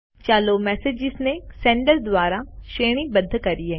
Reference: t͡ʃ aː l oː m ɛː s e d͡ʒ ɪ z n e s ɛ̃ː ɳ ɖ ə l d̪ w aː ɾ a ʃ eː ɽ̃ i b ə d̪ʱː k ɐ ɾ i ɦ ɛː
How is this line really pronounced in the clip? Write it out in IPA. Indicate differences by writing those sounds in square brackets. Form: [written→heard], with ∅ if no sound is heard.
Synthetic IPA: t͡ʃ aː l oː m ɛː s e d͡ʒ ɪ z n e s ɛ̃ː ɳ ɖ ə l d̪ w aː ɾ a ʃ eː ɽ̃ i b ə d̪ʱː k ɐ ɾ i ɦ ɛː

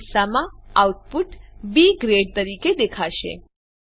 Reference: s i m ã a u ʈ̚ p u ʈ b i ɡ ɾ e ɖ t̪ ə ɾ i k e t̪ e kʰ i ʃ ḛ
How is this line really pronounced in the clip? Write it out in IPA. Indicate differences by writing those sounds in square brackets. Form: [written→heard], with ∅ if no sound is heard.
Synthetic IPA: s [i→a] m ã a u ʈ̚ p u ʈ b i ɡ ɾ e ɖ t̪ ə ɾ i k e [t̪→d̪] e kʰ [i→a] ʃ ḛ

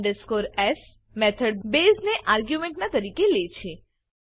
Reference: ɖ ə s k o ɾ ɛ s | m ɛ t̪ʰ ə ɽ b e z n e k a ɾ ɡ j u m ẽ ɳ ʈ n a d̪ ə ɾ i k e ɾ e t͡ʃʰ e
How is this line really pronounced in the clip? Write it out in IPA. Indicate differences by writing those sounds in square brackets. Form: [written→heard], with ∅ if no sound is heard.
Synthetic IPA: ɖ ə s k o ɾ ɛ s | m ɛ t̪ʰ ə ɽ b e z n e [k→ʔ] a ɾ ɡ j u m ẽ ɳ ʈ n a [d̪→t̪] ə ɾ i k e [ɾ→l] e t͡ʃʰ e

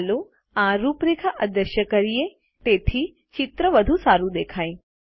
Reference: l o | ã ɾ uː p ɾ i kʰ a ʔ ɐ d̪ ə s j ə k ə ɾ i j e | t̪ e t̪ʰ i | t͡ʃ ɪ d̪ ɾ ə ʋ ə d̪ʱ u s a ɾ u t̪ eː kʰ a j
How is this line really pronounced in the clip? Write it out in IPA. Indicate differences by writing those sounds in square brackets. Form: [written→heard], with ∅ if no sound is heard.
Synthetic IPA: l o | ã ɾ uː p ɾ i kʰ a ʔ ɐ d̪ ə [s→ʃ] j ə k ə ɾ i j e | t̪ e t̪ʰ i | t͡ʃ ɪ [d̪→t̪] ɾ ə ʋ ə d̪ʱ u s a ɾ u [t̪→d̪] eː kʰ a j

